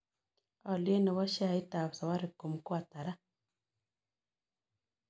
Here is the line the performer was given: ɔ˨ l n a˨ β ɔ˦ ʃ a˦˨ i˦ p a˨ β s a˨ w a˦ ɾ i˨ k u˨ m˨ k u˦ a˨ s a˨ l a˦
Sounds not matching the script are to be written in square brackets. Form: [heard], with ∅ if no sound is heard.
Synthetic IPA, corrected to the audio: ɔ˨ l n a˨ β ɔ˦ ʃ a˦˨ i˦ [t] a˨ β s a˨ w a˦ ɾ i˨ k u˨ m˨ k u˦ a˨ [t] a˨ [ɾ] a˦